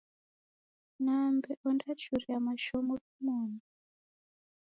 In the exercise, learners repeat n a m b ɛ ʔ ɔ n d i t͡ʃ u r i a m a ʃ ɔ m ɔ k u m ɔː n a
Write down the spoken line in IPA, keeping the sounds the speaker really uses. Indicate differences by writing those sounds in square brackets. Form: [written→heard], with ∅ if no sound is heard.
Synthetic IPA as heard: n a m b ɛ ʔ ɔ n d [i→a] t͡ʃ u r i a m a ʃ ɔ m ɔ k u m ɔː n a